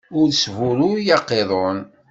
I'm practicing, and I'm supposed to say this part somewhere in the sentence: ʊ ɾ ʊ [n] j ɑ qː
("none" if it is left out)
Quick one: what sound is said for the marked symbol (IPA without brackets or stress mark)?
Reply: none